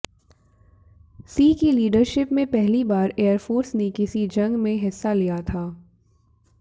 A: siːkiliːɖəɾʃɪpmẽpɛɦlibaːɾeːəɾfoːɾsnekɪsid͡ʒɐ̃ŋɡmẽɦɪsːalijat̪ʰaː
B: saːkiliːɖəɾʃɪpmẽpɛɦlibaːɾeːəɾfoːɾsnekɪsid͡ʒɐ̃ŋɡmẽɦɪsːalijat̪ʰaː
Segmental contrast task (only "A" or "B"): A